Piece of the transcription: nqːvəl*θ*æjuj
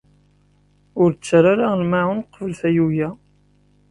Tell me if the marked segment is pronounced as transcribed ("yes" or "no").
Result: yes